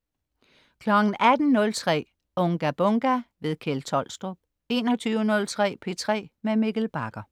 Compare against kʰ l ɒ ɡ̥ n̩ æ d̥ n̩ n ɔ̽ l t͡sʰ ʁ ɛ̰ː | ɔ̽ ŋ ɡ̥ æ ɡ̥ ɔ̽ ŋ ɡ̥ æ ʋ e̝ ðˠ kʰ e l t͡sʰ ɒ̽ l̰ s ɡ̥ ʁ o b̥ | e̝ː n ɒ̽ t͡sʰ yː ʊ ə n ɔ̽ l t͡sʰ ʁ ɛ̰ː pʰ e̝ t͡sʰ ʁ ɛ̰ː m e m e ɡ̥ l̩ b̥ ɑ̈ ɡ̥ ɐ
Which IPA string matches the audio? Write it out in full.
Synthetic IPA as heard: kʰ l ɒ ɡ̥ n̩ æ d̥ n̩ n ɔ̽ l t͡sʰ ʁ ɛ̰ː | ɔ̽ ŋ ɡ̥ æ b̥ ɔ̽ ŋ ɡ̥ æ ʋ e̝ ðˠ kʰ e l t͡sʰ ɒ̽ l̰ s d̥ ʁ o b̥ | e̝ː n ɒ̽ t͡sʰ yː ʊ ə n ɔ̽ l t͡sʰ ʁ ɛ̰ː pʰ e̝ t͡sʰ ʁ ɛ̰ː m e m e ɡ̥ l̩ b̥ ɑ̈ ɡ̥ ɐ